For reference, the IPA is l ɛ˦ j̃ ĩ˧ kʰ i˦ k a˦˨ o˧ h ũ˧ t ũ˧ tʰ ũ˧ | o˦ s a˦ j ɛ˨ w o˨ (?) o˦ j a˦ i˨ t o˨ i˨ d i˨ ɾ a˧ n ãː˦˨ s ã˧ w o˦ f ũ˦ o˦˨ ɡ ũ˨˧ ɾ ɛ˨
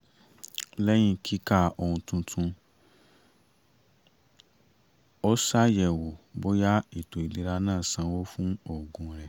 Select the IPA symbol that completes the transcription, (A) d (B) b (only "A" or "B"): B